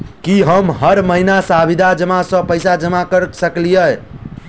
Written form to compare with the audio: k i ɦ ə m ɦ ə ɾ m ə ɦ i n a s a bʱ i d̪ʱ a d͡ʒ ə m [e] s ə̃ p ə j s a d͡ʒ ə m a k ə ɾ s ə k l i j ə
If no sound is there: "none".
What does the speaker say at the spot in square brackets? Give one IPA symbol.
a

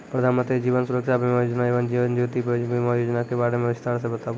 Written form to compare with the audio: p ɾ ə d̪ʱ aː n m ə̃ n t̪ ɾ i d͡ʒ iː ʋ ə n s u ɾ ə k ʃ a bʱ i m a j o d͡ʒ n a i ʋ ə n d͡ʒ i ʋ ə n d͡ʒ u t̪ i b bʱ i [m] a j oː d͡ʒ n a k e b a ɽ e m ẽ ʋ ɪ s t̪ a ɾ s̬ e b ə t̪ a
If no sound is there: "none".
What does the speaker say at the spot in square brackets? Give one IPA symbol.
m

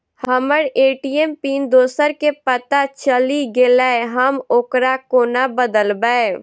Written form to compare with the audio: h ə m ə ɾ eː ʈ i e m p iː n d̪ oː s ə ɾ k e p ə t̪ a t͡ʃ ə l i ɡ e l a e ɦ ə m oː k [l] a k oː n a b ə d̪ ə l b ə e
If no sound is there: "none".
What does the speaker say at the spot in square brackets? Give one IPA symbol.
ɾ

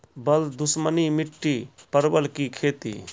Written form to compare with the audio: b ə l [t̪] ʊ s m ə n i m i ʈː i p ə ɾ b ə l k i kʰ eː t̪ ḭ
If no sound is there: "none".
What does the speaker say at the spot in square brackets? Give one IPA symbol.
d̪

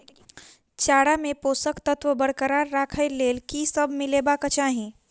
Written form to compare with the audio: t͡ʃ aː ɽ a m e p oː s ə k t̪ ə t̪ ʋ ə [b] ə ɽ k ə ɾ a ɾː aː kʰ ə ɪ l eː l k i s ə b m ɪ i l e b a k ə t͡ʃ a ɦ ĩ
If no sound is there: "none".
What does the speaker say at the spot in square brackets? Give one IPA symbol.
b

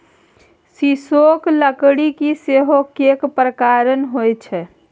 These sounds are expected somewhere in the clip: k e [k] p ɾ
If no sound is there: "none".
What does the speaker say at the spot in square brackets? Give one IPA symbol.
k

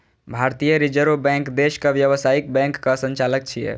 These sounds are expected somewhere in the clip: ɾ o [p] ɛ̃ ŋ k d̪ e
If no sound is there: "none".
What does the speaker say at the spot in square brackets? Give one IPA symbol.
b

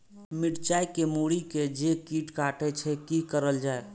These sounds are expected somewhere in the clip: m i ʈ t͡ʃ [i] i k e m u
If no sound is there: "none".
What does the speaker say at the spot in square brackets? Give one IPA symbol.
a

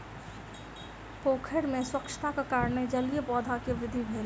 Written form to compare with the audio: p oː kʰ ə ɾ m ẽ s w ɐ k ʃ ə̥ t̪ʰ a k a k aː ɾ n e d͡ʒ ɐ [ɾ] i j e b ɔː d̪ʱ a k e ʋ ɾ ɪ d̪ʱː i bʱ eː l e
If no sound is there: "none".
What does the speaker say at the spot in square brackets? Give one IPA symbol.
l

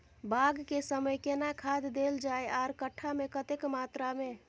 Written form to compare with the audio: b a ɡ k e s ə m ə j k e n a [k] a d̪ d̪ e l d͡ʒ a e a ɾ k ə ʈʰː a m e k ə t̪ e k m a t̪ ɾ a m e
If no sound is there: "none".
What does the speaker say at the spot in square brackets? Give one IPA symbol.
kʰ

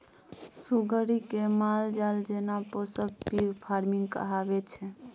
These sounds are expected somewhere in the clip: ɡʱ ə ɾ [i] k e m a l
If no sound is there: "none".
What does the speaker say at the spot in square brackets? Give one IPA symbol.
i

